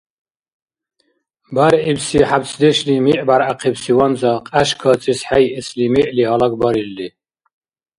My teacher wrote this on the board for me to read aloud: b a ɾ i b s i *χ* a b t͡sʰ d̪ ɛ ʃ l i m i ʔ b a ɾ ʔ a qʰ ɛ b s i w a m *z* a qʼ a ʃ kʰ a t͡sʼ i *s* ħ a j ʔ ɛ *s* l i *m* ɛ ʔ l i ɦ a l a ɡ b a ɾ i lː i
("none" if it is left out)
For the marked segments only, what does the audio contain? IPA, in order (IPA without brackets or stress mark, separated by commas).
ħ, z, s, s, m